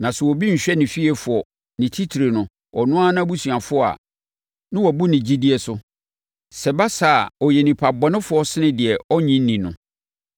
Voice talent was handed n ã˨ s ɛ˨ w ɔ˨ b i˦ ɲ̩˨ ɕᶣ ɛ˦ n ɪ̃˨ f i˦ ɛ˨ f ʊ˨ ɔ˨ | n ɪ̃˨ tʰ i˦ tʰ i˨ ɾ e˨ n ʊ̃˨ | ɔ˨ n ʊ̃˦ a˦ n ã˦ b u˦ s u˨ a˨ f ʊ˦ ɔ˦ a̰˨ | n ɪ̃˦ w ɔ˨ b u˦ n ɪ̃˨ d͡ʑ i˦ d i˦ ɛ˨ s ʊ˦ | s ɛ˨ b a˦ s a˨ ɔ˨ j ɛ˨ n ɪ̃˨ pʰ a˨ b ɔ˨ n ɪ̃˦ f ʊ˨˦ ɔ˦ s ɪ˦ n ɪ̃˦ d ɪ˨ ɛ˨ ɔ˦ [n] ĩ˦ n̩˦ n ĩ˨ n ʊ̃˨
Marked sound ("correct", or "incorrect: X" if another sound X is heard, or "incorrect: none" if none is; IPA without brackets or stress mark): incorrect: ɲ